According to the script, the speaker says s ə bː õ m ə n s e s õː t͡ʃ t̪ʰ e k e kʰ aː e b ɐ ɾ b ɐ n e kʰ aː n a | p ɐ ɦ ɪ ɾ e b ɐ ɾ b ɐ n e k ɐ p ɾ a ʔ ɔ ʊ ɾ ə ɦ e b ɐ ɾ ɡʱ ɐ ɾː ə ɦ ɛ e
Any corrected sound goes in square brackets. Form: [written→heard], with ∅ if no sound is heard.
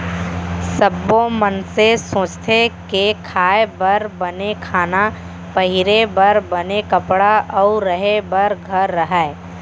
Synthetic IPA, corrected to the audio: s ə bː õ m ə n s e s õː t͡ʃ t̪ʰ e k e kʰ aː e b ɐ ɾ b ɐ n e kʰ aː n a | p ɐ ɦ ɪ ɾ e b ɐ ɾ b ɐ n e k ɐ p [ɾ→ɽ] a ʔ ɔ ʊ ɾ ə ɦ e b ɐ ɾ ɡʱ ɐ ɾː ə ɦ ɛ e